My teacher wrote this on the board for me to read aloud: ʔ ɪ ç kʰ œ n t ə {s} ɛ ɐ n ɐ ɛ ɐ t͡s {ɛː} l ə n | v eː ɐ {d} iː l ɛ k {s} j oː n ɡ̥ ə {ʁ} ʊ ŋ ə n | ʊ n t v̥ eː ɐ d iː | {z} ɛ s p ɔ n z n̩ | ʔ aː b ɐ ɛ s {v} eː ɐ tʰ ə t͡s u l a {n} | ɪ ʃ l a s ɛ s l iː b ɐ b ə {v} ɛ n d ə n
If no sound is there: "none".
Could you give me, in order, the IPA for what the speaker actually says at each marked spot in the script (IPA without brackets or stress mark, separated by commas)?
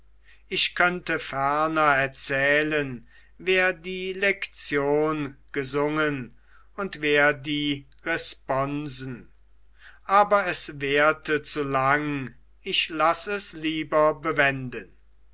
f, ɛː, d, t͡s, z, ʁ, v, ŋ, v